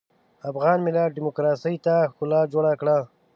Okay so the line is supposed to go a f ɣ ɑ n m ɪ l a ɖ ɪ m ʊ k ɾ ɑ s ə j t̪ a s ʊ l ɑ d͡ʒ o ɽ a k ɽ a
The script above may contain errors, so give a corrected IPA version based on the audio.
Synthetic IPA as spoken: a f ɣ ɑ n m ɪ l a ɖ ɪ m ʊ k ɾ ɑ s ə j t̪ a x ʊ l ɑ d͡ʒ o ɽ a k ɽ a